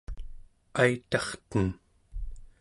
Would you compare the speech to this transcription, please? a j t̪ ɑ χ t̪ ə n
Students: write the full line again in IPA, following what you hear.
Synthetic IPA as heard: a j t̪ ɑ χ t̪ ə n